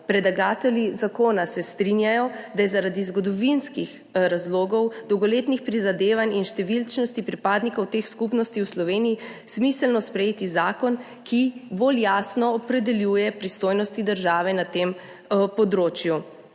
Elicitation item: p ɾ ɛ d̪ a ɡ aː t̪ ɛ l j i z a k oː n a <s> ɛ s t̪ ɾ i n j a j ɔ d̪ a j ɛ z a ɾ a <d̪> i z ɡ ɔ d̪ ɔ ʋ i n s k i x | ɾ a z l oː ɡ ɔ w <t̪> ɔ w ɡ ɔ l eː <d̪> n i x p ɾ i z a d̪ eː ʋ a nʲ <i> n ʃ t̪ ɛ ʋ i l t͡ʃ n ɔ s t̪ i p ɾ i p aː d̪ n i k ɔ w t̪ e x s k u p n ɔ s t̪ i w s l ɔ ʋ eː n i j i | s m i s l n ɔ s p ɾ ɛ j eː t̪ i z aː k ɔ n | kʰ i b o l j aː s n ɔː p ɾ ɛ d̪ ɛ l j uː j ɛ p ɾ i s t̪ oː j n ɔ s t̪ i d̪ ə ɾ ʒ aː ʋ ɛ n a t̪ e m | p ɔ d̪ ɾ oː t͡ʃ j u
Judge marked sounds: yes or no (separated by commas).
yes, yes, no, no, yes